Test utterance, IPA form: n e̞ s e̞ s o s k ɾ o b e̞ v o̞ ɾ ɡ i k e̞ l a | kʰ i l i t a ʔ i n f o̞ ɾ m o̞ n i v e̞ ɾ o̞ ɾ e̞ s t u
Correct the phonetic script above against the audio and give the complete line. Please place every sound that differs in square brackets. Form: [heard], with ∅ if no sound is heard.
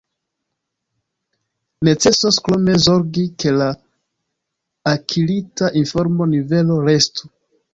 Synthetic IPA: n e̞ [t͡s] e̞ s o s k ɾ o [m] e̞ [z] o̞ ɾ ɡ i k e̞ l a | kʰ i l i t a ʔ i n f o̞ ɾ m o̞ n i v e̞ [l] o̞ ɾ e̞ s t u